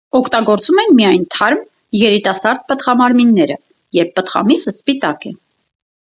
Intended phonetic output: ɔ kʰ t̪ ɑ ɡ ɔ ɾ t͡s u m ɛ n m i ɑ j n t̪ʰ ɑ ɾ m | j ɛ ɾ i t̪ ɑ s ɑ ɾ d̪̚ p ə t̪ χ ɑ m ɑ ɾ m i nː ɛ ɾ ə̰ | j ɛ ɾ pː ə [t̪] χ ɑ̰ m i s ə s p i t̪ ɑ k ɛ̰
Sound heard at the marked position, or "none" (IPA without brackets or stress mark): t̪